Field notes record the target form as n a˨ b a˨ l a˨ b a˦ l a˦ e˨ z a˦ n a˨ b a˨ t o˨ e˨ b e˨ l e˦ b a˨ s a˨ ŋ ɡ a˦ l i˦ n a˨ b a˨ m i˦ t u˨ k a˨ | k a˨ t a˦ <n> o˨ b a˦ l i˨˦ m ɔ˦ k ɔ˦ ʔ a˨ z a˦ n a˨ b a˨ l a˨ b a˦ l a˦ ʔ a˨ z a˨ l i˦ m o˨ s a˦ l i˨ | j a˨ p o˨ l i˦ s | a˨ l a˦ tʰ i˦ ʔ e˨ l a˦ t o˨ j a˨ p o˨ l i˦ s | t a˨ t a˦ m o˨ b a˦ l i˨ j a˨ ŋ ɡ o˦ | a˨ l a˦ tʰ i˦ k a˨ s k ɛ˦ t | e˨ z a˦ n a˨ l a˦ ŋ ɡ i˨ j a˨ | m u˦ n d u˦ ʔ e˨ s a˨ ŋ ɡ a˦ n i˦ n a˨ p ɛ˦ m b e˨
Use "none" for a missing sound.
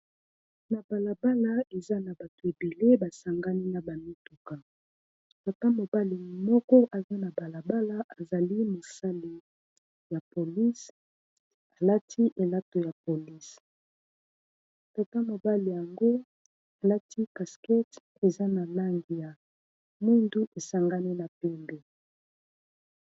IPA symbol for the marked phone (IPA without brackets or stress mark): m